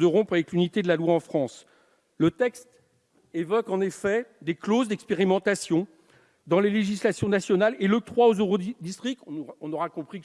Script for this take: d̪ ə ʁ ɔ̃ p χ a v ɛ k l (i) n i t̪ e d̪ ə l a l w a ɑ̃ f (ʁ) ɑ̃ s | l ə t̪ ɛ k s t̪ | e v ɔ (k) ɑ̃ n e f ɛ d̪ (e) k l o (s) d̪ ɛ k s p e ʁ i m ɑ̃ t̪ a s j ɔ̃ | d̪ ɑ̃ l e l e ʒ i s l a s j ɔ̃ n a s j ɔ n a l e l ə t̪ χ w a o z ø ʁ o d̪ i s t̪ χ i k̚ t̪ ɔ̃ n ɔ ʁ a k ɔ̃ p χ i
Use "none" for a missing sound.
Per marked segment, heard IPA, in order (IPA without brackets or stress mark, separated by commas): y, χ, k, e, z